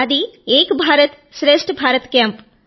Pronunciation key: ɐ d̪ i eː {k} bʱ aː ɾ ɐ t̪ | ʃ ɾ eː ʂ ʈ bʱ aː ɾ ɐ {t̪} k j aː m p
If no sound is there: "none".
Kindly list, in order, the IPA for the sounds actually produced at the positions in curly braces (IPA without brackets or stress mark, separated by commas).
k, t̪